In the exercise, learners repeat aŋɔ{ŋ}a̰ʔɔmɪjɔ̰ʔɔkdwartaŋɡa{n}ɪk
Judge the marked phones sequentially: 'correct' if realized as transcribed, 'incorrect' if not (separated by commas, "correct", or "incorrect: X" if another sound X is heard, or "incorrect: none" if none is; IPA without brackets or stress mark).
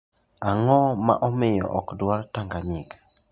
incorrect: m, incorrect: ɲ